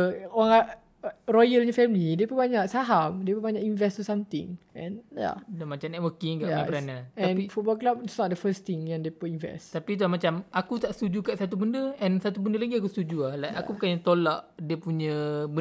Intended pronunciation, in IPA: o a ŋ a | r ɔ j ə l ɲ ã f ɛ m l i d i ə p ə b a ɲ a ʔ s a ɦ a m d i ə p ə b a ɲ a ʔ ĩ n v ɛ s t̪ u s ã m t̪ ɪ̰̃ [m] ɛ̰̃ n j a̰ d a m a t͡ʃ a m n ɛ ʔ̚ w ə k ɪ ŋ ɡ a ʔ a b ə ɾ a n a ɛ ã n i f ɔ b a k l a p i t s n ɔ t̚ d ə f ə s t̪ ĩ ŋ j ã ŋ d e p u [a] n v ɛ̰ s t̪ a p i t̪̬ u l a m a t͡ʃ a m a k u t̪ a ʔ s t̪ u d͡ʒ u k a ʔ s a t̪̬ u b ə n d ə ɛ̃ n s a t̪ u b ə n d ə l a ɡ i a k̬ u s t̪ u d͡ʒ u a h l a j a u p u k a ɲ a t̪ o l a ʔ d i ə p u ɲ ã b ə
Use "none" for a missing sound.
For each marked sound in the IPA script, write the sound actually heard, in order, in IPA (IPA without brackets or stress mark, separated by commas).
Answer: ŋ, i